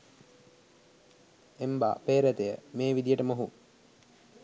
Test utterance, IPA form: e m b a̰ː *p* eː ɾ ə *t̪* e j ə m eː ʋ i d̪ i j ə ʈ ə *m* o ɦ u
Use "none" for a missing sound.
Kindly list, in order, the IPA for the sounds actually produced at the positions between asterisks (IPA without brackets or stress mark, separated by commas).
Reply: p, t̪, m